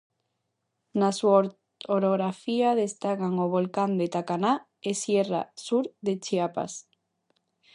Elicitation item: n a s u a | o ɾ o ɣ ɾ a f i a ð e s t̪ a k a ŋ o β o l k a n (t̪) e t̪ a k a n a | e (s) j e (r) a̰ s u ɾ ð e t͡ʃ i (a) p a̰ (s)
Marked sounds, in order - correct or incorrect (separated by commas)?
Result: incorrect, correct, correct, correct, correct